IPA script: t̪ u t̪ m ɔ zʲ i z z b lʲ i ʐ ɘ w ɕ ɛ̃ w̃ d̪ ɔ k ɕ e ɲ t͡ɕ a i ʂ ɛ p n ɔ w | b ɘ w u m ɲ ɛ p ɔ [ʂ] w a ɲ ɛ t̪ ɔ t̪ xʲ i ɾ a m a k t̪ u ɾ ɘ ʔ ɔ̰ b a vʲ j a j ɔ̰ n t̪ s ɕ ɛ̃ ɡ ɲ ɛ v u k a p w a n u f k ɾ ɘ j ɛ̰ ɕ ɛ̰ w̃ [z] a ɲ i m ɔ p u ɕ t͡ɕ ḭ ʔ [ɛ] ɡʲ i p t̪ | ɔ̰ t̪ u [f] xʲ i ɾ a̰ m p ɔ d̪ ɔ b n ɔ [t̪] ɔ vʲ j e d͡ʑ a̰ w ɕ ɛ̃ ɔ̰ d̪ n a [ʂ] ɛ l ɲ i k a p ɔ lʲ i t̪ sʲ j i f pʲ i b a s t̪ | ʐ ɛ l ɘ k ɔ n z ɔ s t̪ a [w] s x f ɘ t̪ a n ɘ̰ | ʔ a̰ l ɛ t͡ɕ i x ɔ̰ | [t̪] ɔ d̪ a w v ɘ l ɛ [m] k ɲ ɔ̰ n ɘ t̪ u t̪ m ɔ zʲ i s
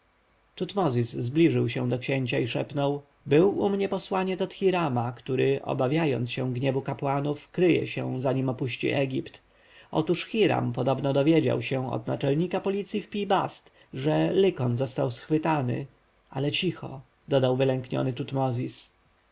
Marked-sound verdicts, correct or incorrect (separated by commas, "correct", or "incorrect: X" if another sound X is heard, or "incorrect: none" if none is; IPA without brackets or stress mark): incorrect: s, correct, correct, incorrect: ʂ, incorrect: d̪, incorrect: t͡ʂ, correct, incorrect: d̪, incorrect: ŋ